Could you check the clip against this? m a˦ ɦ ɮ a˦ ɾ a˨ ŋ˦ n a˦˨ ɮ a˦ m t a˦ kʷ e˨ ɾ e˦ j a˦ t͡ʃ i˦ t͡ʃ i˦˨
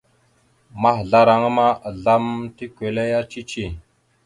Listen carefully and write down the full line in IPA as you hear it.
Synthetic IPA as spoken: m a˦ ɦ ɮ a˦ ɾ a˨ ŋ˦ m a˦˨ ɮ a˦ m t i˦ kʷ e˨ l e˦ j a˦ t͡ʃ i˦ t͡ʃ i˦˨